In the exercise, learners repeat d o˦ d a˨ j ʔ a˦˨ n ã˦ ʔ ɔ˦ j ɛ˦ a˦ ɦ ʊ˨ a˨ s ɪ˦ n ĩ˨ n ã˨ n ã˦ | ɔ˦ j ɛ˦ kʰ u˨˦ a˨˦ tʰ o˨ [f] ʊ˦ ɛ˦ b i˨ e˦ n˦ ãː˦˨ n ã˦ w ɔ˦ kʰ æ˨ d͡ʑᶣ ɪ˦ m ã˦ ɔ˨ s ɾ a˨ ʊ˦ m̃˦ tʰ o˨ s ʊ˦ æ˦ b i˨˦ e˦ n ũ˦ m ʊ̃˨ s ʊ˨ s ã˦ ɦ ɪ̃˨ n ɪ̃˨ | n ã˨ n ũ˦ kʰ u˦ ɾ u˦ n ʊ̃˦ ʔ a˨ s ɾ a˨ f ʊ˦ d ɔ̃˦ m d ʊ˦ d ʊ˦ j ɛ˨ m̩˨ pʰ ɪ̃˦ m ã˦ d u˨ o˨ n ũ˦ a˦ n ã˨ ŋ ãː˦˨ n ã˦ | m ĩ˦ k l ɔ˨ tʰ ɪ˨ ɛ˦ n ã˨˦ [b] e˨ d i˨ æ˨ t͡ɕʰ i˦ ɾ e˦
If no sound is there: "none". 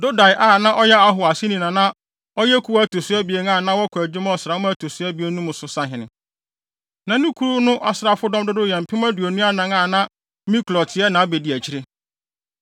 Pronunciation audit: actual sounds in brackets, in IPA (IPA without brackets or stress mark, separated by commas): s, b